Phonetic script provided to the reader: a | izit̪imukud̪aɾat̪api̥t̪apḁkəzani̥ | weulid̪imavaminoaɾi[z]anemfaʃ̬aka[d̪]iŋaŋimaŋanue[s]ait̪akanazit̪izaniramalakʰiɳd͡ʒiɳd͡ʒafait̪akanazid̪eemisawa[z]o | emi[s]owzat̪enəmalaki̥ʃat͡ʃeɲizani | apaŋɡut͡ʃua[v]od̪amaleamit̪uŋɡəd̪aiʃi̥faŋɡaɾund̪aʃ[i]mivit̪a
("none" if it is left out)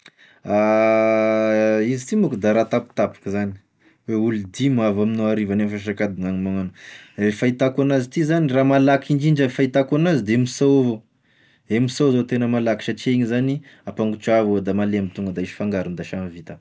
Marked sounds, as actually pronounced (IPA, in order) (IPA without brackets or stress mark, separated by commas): v, d̪, f, v, s, v, a